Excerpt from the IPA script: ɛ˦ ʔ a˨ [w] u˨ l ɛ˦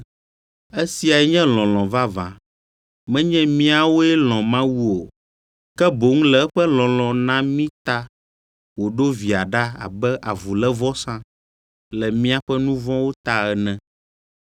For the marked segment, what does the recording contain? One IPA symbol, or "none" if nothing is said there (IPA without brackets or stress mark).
v